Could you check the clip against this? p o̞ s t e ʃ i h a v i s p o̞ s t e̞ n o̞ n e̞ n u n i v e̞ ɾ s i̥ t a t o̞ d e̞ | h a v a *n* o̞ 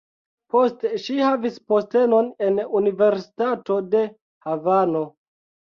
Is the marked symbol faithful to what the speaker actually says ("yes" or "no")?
yes